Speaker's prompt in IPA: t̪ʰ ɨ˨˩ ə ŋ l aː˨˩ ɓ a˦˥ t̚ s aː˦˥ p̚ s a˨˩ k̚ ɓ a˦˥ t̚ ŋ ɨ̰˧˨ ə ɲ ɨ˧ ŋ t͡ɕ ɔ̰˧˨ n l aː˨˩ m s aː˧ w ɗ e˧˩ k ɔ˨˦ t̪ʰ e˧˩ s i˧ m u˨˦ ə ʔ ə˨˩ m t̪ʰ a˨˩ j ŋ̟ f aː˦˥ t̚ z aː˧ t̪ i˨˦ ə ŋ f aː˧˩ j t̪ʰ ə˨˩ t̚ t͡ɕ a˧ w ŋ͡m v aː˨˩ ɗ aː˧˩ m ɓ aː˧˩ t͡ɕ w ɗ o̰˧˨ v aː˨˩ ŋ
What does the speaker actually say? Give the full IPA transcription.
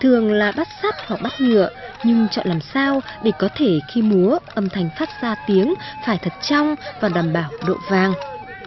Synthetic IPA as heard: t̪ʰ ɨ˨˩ ə ŋ l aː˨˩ ɓ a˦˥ t̚ s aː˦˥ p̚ h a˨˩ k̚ ɓ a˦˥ t̚ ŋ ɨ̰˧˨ ə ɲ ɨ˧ ŋ t͡ɕ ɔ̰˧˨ n l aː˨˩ m s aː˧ w ɗ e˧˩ k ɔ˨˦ t̪ʰ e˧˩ x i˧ m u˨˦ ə ʔ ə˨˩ m t̪ʰ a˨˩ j ŋ̟ f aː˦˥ t̚ z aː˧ t̪ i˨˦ ə ŋ f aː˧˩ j t̪ʰ ə˨˩ t̚ t͡ɕ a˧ w ŋ͡m v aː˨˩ ɗ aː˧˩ m ɓ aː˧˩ w ɗ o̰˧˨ v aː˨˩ ŋ